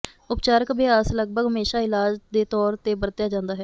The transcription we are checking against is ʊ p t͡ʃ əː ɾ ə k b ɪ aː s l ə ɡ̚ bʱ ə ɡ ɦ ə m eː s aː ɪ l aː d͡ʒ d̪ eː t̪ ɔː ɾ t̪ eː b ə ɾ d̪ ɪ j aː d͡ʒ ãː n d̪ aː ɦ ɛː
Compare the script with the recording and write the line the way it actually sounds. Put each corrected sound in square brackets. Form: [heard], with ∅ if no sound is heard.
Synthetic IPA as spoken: ʊ p t͡ʃ [aː] ɾ ə k b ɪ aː s l ə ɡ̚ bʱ ə ɡ ɦ ə m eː [ʃ] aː ɪ l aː d͡ʒ d̪ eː t̪ ɔː ɾ t̪ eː b ə ɾ [t̪] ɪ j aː d͡ʒ ãː n d̪ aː ɦ ɛː